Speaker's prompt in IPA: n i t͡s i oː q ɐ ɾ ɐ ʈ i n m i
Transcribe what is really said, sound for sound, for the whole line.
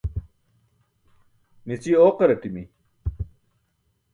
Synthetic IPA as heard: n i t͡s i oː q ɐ ɾ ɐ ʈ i m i